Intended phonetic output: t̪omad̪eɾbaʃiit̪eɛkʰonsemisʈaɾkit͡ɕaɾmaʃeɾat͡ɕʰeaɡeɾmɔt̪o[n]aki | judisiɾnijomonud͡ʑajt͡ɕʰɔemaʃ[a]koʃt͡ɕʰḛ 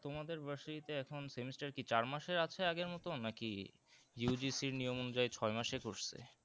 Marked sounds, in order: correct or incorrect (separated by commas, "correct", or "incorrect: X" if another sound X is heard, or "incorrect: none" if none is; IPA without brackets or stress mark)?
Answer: correct, incorrect: e